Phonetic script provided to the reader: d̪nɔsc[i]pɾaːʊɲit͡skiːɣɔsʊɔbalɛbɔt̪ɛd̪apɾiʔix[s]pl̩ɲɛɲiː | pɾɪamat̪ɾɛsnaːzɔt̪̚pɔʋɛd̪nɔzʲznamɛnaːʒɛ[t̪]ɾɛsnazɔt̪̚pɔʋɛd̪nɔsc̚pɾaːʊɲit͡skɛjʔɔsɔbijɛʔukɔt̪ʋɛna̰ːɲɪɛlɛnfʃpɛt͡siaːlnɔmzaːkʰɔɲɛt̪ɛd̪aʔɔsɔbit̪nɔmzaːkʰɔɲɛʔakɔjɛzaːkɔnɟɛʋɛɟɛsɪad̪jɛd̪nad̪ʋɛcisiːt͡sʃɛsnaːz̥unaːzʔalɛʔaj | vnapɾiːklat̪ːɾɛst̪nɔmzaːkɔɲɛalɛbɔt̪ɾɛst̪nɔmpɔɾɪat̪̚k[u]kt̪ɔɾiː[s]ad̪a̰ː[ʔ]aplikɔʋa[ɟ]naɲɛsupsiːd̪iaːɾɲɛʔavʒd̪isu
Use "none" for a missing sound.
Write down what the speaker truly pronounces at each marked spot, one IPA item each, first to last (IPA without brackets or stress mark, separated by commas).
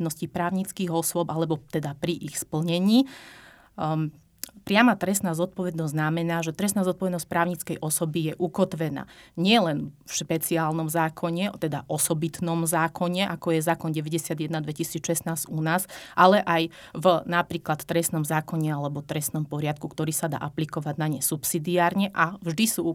i, s, t̪, u, s, ʔ, ɟ